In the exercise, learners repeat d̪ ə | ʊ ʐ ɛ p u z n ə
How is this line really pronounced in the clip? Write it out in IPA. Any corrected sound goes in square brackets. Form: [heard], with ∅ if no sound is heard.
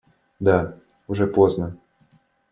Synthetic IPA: d̪ [a] | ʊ ʐ ɛ p [o] z n ə

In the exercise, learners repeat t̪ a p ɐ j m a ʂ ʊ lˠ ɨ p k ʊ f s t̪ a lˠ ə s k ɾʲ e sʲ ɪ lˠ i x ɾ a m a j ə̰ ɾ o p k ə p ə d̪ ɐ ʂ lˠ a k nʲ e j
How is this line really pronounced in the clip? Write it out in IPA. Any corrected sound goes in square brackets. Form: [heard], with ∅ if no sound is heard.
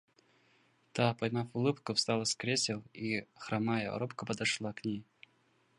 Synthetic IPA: t̪ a p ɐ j m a [f] ʊ lˠ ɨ p k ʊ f s t̪ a lˠ ə s k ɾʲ e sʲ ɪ lˠ i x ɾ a m a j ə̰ ɾ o p k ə p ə d̪ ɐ ʂ lˠ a k nʲ e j

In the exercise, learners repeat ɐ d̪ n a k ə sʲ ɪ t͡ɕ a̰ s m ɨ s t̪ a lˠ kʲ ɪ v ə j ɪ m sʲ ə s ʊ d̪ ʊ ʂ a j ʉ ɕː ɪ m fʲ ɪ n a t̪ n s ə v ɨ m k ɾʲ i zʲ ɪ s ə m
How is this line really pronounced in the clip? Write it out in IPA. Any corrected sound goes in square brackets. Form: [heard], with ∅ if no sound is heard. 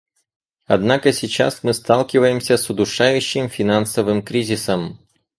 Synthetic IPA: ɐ d̪ n a k ə sʲ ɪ t͡ɕ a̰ s m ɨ s t̪ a lˠ kʲ ɪ v ə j ɪ m sʲ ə s ʊ d̪ ʊ ʂ a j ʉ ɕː ɪ m fʲ ɪ n a [∅] n s ə v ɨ m k ɾʲ i zʲ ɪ s ə m

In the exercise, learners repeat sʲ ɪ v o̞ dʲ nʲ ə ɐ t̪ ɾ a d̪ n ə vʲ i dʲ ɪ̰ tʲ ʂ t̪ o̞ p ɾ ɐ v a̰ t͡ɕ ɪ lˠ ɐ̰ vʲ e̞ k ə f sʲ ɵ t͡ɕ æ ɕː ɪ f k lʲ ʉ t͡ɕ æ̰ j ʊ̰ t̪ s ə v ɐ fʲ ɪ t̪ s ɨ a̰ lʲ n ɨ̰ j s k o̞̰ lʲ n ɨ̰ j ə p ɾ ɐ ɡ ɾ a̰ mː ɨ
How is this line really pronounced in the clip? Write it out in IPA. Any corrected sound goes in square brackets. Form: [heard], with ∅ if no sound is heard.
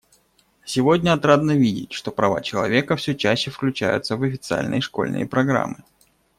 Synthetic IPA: sʲ ɪ v o̞ dʲ nʲ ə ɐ t̪ ɾ a d̪ n ə vʲ i dʲ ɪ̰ tʲ ʂ t̪ o̞ p ɾ ɐ v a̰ t͡ɕ ɪ lˠ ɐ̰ vʲ e̞ k ə f sʲ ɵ t͡ɕ æ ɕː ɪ f k lʲ ʉ t͡ɕ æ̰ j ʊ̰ t̪ s ə v ɐ fʲ ɪ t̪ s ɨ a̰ lʲ n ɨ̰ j [ʂ] k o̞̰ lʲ n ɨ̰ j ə p ɾ ɐ ɡ ɾ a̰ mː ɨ

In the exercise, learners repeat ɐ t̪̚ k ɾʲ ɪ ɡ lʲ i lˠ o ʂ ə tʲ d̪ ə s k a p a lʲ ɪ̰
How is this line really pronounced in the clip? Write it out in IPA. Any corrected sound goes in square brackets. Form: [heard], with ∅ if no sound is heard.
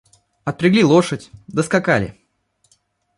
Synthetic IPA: ɐ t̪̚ [p] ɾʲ ɪ ɡ lʲ i lˠ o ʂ ə tʲ d̪ ə s k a [k] a lʲ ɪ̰

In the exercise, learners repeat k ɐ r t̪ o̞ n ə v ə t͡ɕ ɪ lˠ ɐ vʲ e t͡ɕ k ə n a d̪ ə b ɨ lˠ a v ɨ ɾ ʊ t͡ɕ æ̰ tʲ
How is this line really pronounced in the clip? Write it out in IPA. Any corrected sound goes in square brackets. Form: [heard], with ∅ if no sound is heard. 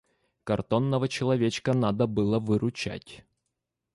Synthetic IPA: k ɐ r t̪ o̞ [nː] ə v ə t͡ɕ ɪ lˠ ɐ vʲ e t͡ɕ k ə n a d̪ ə b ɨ lˠ [ə] v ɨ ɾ ʊ t͡ɕ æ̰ tʲ

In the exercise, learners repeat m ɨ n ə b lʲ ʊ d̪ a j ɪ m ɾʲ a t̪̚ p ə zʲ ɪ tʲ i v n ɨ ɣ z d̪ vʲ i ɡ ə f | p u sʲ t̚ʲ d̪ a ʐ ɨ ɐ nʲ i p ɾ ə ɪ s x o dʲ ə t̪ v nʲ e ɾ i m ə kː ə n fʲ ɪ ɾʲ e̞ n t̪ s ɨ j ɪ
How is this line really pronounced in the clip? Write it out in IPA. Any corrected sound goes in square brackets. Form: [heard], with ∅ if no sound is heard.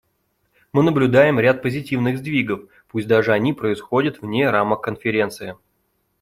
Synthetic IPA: m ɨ n ə b lʲ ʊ d̪ a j ɪ m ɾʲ a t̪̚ p ə zʲ ɪ tʲ i v n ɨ ɣ z d̪ vʲ i ɡ ə f | p u sʲ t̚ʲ d̪ a ʐ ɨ ɐ nʲ i p ɾ ə ɪ s x o dʲ ə t̪ v nʲ e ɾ [a] m ə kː ə n fʲ ɪ ɾʲ e̞ n t̪ s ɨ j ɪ

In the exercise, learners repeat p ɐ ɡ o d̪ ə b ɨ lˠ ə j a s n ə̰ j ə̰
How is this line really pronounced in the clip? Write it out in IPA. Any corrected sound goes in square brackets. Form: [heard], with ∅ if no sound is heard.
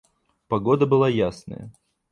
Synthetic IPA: p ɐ ɡ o d̪ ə b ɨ lˠ [a] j a s n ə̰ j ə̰

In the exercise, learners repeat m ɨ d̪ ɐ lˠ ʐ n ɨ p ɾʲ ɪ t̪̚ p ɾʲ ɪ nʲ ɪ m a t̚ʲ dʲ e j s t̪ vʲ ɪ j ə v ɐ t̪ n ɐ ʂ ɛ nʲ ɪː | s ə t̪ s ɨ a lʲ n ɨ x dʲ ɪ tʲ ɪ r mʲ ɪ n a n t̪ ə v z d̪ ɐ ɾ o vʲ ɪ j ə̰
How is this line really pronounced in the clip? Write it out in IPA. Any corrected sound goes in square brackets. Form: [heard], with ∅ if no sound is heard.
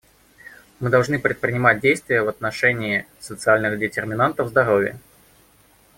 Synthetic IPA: m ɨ d̪ ɐ lˠ ʐ n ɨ p ɾʲ ɪ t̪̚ p ɾʲ ɪ nʲ ɪ m a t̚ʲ dʲ e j s t̪ vʲ ɪ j ə v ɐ t̪ n ɐ ʂ ɛ nʲ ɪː | s ə t̪ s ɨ a lʲ n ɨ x dʲ ɪ tʲ ɪ r mʲ ɪ n a n t̪ ə v z d̪ ɐ ɾ o vʲ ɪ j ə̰

